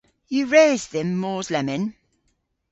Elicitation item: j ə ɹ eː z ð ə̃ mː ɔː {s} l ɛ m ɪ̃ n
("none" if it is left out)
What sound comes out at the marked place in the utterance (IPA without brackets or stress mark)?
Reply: z